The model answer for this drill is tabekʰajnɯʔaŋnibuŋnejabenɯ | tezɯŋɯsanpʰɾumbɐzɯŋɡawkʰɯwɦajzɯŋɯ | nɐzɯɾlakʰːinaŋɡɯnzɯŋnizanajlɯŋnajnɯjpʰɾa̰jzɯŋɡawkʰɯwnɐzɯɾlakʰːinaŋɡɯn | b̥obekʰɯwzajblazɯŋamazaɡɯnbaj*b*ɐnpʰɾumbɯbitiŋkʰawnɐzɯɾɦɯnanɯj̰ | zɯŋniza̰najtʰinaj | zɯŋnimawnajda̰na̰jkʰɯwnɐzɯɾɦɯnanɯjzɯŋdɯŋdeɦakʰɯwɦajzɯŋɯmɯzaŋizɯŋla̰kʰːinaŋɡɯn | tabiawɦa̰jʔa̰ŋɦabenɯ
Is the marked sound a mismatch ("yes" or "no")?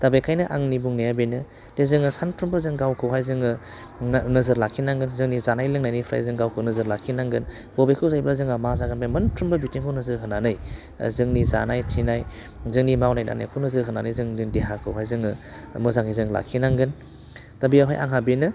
yes